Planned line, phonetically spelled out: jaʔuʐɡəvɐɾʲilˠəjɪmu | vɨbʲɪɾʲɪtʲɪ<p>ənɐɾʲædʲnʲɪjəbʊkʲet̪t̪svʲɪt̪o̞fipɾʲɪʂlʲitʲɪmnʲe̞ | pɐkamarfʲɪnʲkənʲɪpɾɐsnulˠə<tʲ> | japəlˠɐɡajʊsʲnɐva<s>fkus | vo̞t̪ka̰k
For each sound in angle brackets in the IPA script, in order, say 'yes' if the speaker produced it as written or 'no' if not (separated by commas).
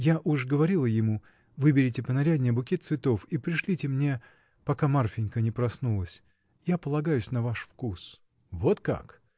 yes, no, no